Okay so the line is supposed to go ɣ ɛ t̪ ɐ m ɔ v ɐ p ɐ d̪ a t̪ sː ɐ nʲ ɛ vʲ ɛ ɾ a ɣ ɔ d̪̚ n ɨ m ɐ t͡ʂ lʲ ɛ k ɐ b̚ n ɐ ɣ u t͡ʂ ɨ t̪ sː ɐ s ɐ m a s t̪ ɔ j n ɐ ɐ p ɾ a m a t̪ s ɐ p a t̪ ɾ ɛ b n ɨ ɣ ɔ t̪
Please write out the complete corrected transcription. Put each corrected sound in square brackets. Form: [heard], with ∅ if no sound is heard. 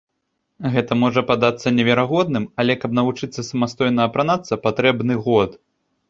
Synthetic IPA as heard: ɣ ɛ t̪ ɐ m ɔ [ʐ] ɐ p [a] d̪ a t̪ sː ɐ nʲ ɛ vʲ ɛ ɾ a ɣ ɔ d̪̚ n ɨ m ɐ [∅] lʲ ɛ k ɐ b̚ n ɐ [v] u t͡ʂ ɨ t̪ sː ɐ s ɐ m a s t̪ ɔ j n ɐ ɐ p ɾ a [n] a t̪ s ɐ p a t̪ ɾ ɛ b n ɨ ɣ ɔ t̪